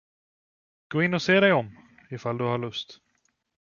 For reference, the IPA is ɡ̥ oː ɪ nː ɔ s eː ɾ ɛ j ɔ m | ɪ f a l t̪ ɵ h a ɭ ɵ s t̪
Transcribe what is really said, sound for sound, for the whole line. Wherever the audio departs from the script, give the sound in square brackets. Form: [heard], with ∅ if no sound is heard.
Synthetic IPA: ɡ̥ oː ɪ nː ɔ s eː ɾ ɛ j ɔ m | ɪ f a l [d̪] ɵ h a ɭ ɵ s t̪